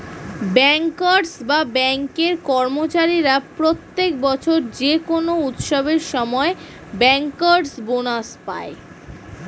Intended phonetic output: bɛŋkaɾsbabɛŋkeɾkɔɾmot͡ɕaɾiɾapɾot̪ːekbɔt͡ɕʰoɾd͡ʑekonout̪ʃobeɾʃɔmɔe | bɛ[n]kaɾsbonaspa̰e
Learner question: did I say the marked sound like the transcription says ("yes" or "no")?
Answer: no